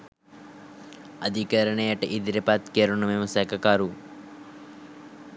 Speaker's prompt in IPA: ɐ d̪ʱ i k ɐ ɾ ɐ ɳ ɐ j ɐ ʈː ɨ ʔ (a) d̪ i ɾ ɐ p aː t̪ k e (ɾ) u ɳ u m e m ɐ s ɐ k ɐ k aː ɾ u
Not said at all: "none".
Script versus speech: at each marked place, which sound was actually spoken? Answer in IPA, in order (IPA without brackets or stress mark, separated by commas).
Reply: i, ɾ